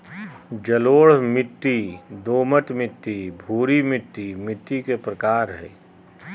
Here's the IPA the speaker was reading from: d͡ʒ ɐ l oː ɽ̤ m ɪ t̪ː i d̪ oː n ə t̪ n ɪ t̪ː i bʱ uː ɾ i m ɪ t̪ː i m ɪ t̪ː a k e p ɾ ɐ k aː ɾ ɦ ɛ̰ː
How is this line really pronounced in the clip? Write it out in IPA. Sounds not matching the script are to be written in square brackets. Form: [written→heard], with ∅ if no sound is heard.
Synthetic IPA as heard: d͡ʒ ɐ l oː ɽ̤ m ɪ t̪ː i d̪ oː [n→m] ə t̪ [n→m] ɪ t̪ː i bʱ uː ɾ i m ɪ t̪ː i m ɪ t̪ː [a→i] k e p ɾ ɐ k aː ɾ ɦ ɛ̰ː